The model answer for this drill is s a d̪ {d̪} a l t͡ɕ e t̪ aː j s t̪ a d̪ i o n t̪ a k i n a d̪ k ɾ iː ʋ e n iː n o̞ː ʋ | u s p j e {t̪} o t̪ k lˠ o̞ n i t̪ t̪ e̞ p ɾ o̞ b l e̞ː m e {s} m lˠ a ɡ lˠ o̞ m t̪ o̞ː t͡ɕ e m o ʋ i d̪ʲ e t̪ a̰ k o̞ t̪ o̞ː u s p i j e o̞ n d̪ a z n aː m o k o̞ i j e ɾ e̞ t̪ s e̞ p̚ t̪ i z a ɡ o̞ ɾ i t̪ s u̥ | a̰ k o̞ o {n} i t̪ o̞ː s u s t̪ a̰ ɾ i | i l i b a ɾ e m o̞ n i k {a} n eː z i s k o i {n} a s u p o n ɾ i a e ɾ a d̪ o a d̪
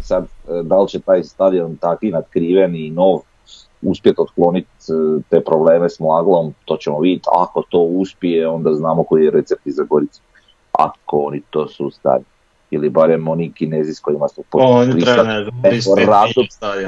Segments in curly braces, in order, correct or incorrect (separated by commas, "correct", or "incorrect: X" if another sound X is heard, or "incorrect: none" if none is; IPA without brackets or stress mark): correct, correct, correct, correct, incorrect: i, incorrect: m